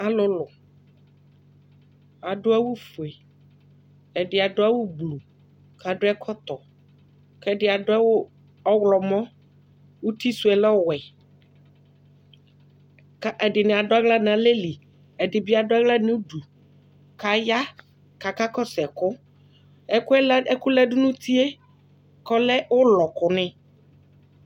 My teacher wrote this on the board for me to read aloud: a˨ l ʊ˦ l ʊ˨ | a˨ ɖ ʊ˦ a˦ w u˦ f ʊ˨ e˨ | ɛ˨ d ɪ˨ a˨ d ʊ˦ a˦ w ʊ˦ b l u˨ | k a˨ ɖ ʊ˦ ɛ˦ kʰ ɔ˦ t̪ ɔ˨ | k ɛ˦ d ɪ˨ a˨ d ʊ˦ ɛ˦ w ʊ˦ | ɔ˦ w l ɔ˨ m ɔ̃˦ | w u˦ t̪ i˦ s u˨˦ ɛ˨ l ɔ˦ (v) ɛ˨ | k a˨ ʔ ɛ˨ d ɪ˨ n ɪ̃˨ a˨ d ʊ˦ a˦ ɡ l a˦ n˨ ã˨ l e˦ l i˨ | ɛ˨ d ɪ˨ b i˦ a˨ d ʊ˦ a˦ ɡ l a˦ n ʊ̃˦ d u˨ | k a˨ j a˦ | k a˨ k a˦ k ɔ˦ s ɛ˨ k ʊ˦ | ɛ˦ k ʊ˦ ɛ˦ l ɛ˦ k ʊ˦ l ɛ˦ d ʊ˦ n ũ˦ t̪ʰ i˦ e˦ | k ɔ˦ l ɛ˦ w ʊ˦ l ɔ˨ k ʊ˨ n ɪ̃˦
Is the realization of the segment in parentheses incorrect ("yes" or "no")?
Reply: yes